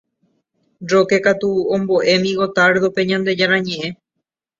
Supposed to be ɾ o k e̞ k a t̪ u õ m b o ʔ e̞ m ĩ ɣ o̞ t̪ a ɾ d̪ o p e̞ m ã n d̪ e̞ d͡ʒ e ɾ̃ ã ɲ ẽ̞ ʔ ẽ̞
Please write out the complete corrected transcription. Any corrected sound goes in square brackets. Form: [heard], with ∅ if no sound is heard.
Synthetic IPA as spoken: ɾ o k e̞ k a t̪ u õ m b o ʔ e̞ m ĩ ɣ o̞ t̪ a ɾ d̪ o p e̞ [ɲ] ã n d̪ e̞ d͡ʒ [a] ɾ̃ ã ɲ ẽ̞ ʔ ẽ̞